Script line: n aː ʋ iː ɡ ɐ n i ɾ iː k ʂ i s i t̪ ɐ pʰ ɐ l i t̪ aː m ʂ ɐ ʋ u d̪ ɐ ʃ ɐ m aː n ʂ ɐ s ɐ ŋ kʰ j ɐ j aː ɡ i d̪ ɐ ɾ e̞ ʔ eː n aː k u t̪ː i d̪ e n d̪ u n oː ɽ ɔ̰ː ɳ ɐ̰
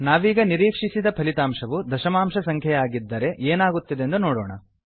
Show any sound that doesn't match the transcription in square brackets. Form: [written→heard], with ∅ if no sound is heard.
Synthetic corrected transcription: n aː ʋ iː ɡ ɐ n i ɾ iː k ʂ i s i [t̪→d̪] ɐ pʰ ɐ l i t̪ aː m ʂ ɐ ʋ u d̪ ɐ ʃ ɐ m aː [n→m] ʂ ɐ s ɐ ŋ kʰ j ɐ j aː ɡ i [d̪→d̪ː] ɐ ɾ e̞ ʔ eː n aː [k→ɡ] u t̪ː i d̪ e n d̪ u n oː ɽ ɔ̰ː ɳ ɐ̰